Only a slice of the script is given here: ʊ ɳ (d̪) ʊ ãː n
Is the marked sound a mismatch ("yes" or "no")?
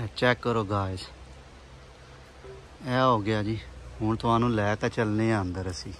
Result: yes